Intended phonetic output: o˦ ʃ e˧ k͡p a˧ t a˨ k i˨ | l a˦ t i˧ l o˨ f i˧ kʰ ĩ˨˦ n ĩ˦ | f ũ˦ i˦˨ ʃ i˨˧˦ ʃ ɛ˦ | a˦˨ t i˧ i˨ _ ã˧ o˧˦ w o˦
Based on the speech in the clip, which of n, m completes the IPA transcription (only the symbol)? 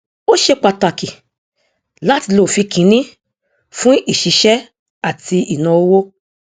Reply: n